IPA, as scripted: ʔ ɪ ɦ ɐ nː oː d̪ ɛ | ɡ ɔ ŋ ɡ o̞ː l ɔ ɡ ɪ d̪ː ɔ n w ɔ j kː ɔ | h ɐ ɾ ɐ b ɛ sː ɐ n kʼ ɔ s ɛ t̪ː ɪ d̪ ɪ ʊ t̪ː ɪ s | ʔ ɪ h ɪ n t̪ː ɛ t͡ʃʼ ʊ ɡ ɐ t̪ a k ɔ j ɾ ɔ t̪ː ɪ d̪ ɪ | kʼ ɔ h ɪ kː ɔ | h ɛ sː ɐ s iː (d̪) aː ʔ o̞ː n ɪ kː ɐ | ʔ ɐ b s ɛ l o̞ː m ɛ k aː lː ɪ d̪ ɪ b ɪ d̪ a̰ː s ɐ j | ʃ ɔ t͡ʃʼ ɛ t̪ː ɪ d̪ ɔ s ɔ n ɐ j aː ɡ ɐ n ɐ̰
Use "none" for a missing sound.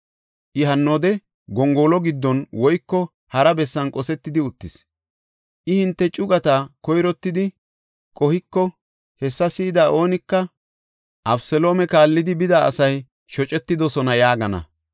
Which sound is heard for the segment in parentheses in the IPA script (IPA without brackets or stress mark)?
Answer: d̪